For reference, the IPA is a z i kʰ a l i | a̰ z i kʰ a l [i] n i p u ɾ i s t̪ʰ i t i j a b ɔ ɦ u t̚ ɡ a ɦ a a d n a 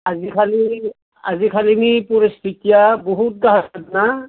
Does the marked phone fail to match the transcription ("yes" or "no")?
no